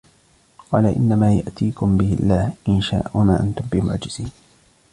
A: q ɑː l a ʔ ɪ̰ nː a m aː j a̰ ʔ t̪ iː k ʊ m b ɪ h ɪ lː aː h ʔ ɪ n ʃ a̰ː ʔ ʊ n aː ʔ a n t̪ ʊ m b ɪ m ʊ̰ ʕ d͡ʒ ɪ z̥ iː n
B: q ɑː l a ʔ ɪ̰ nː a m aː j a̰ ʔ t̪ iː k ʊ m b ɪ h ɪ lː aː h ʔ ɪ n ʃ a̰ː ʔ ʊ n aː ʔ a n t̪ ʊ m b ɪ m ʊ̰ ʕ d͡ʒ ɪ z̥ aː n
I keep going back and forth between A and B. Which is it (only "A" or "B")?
A